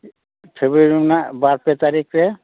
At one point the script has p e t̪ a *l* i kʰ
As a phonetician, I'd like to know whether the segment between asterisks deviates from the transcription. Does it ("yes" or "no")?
yes